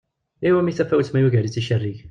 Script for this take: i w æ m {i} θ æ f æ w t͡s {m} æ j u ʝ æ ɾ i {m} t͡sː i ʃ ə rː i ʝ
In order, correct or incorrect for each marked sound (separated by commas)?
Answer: correct, correct, incorrect